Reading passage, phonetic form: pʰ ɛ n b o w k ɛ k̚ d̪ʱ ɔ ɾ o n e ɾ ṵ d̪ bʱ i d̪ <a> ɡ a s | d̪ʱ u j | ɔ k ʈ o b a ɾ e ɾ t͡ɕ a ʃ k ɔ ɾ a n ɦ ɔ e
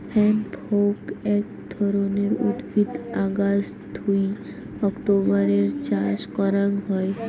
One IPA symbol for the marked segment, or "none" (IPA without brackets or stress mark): a